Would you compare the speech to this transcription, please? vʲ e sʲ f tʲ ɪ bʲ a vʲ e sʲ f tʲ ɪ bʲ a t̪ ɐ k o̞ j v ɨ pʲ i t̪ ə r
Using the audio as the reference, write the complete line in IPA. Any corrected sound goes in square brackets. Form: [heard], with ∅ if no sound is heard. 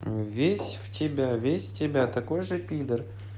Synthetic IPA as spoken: vʲ e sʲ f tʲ ɪ bʲ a vʲ e sʲ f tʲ ɪ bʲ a t̪ ɐ k o̞ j [ʐ] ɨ pʲ i [d̪] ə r